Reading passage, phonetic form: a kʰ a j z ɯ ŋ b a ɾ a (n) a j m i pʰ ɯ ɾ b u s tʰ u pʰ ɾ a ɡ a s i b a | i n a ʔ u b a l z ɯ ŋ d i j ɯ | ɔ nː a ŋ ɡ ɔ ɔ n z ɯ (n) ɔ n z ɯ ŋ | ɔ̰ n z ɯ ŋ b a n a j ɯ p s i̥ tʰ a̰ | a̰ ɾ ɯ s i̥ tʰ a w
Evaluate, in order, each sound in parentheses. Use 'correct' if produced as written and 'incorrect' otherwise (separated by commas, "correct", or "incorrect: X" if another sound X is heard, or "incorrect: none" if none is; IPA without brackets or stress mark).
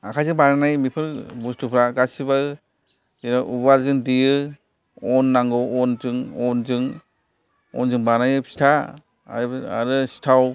correct, incorrect: ŋ